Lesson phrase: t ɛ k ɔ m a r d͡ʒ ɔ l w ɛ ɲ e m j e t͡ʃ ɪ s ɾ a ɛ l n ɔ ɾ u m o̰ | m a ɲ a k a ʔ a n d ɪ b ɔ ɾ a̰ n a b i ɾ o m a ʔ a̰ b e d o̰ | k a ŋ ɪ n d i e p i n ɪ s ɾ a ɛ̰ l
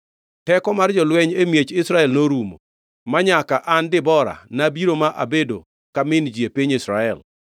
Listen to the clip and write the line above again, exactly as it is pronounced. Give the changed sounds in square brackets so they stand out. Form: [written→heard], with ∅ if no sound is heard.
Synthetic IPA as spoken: t ɛ k ɔ m a r d͡ʒ ɔ l w ɛ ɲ e m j e t͡ʃ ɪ s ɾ a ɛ l n [ɔ→o] ɾ u m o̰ | m a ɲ a k a ʔ a n d ɪ b ɔ ɾ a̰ n a b i ɾ o m a ʔ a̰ b e d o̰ | k a [ŋ→m] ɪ n [d→d͡ʒ] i e p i [n→ɲ] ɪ s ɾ a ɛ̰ l